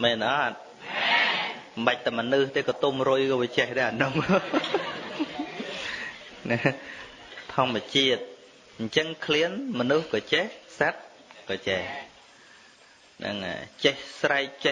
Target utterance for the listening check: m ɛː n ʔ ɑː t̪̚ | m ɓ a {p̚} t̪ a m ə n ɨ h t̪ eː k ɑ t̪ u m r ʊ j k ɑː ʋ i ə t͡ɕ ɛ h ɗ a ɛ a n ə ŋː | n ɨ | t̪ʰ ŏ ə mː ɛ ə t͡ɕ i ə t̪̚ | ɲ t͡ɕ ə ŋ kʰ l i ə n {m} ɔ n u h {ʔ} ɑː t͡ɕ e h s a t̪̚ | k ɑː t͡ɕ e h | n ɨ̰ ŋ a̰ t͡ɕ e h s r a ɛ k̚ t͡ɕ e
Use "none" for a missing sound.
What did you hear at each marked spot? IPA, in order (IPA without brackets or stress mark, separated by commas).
c̚, m, k